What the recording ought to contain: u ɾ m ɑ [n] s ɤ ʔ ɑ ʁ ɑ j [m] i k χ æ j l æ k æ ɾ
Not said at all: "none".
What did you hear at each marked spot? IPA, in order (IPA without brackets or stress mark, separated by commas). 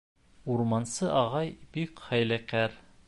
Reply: n, b